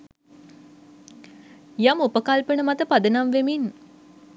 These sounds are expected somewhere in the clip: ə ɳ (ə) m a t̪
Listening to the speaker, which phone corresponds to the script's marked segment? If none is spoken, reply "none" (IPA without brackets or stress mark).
ə